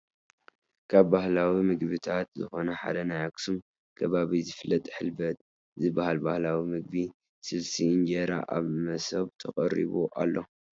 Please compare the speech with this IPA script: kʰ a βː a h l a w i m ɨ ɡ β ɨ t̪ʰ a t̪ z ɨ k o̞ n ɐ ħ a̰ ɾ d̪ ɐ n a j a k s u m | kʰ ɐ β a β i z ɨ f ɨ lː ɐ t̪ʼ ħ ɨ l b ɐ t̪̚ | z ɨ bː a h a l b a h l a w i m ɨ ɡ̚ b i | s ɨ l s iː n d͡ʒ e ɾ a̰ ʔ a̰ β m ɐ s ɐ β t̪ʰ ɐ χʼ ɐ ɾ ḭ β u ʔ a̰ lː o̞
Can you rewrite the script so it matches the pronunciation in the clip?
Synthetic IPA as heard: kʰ a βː a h l a w i m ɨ ɡ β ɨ t̪ʰ a t̪ z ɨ x o̞ n ɐ ħ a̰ d̪ ɐ n a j a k s u m | kʰ ɐ β a β i z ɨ f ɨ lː ɐ t̪ʼ ħ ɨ l b ɐ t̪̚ | z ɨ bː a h a l b a h l a w i m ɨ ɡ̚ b i | s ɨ l s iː n d͡ʒ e ɾ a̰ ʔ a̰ β m ɐ s ɐ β t̪ʰ ɐ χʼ ɐ ɾ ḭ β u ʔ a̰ lː o̞